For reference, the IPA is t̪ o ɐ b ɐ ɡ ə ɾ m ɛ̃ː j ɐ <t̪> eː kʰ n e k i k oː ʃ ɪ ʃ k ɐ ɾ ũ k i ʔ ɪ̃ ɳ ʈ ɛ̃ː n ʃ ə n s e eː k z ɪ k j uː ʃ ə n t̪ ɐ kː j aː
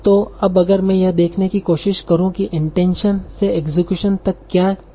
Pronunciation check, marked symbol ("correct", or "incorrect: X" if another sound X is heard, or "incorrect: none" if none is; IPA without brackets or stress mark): incorrect: d̪